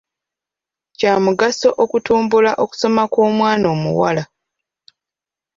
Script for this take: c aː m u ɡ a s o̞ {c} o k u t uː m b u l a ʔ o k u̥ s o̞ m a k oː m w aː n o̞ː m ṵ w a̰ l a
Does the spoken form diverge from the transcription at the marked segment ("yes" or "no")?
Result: yes